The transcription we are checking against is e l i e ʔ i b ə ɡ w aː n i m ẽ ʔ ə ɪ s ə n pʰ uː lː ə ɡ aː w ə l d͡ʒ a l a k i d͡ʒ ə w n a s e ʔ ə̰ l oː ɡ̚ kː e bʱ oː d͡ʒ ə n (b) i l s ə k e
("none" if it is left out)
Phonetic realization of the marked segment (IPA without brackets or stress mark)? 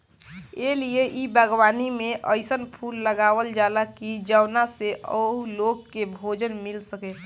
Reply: m